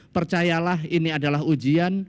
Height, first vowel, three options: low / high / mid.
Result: mid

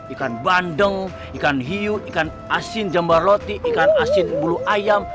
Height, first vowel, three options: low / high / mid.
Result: high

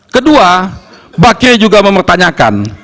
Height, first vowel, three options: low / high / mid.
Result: mid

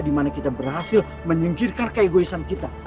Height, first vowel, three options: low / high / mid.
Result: high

